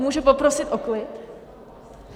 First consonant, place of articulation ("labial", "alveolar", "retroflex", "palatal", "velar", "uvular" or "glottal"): labial